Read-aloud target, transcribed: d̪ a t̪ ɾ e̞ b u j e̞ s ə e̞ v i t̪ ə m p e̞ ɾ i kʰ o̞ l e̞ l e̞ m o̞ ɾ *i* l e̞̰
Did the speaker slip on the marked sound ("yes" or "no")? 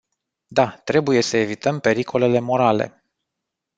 yes